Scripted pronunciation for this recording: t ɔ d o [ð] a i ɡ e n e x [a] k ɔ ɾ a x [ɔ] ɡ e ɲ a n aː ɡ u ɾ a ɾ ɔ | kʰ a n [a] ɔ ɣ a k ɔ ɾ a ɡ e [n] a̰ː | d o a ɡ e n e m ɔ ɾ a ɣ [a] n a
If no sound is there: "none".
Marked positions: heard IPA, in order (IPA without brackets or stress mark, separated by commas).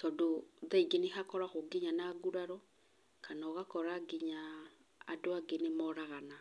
ð, a, o, a, ɲ, a